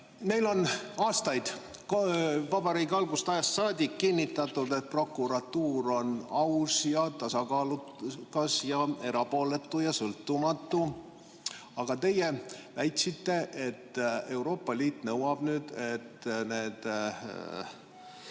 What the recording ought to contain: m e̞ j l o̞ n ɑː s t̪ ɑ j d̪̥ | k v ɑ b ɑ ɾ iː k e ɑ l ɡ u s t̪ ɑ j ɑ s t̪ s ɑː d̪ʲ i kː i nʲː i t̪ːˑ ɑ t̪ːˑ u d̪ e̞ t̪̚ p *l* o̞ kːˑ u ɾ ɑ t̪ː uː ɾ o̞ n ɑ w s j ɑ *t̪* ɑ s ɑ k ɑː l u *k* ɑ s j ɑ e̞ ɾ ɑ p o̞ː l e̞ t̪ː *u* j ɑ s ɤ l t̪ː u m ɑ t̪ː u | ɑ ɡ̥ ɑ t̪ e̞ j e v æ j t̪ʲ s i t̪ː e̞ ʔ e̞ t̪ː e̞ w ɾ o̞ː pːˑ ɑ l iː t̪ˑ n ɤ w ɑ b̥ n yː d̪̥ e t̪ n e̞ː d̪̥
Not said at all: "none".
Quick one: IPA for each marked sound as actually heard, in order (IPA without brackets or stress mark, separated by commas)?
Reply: r, t̪, k, u